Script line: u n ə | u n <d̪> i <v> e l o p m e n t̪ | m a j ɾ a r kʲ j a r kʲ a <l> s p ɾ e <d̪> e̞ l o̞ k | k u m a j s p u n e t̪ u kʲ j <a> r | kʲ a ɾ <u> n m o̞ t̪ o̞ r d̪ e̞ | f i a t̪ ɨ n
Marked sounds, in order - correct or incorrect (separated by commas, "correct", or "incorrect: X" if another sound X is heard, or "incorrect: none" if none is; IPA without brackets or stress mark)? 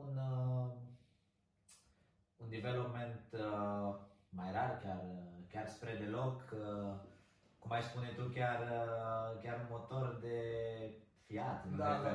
correct, correct, incorrect: r, correct, correct, correct